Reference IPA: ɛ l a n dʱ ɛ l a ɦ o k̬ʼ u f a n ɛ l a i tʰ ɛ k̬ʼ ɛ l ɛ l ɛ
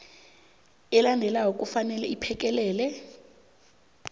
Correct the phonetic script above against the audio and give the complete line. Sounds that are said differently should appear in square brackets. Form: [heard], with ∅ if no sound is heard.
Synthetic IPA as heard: ɛ l a n dʱ ɛ l a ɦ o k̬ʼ u f a n ɛ l [ɛ] i [pʰ] ɛ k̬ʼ ɛ l [ɛː] l ɛ